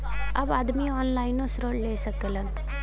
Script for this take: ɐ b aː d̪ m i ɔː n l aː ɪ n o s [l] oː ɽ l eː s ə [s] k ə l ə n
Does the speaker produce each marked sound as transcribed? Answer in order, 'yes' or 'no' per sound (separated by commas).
no, no